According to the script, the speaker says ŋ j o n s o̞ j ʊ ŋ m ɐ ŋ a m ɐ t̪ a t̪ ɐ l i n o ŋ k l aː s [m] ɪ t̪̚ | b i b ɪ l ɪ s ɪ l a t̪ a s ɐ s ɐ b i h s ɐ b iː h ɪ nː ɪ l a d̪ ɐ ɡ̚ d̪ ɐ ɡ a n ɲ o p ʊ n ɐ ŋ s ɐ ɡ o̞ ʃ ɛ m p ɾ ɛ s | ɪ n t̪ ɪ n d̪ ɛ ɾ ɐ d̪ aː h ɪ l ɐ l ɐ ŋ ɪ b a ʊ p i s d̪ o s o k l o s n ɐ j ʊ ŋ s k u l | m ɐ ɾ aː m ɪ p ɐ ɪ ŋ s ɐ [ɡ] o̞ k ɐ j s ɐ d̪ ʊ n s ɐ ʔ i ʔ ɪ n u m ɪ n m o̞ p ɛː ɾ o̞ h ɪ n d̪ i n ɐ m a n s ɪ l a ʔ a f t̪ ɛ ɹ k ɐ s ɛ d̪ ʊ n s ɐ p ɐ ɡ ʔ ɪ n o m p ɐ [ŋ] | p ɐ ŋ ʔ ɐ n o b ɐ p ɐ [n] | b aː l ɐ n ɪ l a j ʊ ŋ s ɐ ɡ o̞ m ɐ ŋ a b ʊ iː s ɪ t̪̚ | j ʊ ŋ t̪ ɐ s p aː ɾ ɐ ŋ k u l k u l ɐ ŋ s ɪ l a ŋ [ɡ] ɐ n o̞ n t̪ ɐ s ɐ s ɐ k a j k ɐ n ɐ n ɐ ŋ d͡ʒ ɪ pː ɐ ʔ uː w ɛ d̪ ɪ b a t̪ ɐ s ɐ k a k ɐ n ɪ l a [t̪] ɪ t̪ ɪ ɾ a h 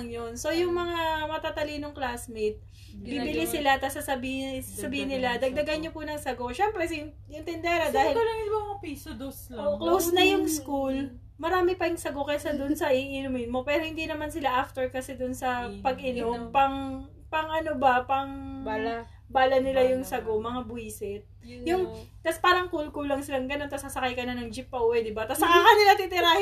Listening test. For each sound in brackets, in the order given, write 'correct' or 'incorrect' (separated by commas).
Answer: correct, correct, correct, incorrect, correct, correct